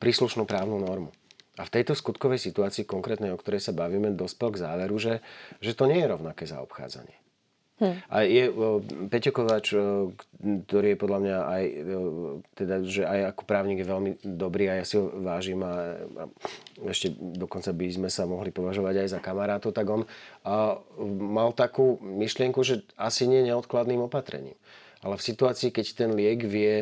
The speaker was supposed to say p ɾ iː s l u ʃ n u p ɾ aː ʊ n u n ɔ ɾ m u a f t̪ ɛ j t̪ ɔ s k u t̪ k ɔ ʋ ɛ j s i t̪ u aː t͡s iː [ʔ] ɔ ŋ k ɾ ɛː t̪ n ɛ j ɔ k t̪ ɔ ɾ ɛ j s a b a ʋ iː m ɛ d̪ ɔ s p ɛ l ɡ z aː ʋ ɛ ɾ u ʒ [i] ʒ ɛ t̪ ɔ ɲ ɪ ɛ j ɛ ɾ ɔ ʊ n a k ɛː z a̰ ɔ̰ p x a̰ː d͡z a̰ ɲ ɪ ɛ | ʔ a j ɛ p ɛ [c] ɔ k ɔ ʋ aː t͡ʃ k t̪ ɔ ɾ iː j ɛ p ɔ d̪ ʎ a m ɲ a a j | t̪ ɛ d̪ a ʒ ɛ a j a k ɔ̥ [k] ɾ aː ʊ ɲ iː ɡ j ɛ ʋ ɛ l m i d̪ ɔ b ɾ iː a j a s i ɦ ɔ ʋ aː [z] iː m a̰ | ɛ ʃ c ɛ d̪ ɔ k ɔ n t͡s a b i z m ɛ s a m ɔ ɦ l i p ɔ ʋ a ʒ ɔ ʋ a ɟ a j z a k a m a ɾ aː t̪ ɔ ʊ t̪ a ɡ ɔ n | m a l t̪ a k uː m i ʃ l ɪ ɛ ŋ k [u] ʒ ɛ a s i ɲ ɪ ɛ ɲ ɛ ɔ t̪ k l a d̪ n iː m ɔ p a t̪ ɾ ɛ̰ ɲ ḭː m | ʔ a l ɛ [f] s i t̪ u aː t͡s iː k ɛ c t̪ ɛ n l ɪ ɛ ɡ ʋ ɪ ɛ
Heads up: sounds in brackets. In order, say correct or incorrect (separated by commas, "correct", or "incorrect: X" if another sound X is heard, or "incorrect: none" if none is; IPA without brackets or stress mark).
incorrect: k, incorrect: ɛ, correct, incorrect: p, incorrect: ʒ, correct, correct